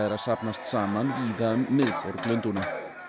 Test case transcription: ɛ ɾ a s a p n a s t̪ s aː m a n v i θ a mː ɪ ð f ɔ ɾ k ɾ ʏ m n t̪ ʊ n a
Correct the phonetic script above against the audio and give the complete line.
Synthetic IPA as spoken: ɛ ɾ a s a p n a s t̪ s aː m a n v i ð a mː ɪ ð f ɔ ɾ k l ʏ n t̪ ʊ n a